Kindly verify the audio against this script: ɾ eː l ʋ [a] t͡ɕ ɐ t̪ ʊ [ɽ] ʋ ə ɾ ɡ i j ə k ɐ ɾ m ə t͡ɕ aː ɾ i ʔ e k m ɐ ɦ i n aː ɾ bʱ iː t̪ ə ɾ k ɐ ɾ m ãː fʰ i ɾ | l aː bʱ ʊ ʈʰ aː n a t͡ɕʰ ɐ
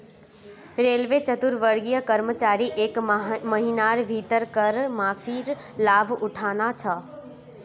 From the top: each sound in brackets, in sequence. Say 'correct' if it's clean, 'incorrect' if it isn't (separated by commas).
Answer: incorrect, incorrect